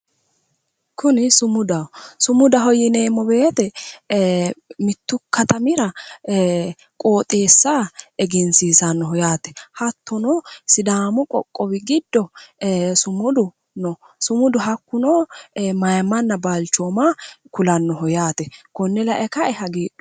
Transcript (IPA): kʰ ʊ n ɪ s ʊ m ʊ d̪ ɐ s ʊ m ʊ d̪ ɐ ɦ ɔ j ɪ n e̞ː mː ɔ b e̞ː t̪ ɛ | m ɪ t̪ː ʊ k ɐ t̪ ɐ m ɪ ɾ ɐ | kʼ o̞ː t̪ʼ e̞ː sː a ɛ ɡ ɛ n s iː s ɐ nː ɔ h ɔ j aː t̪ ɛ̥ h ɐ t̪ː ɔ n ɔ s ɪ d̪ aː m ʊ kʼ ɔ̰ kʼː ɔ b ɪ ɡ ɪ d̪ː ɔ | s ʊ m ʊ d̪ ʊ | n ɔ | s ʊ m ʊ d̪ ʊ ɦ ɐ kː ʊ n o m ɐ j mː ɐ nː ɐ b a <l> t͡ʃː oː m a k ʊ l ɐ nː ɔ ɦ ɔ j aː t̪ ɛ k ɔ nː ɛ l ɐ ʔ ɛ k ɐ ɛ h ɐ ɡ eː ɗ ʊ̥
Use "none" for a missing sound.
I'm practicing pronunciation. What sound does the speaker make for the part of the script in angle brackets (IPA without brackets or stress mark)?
l